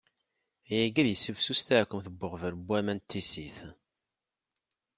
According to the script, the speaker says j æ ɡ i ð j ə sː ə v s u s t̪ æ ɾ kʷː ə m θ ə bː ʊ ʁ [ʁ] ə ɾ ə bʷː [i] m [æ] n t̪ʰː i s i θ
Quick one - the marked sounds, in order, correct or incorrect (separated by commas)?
incorrect, incorrect, correct